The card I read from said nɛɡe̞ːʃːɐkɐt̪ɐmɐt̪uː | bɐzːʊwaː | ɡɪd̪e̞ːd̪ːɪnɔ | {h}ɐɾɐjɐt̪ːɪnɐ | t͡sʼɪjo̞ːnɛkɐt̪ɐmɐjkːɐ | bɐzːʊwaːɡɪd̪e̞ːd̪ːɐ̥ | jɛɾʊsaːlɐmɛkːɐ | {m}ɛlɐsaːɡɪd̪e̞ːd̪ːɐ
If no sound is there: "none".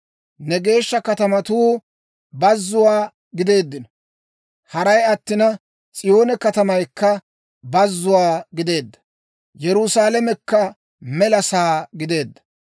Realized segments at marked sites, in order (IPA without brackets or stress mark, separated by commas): h, m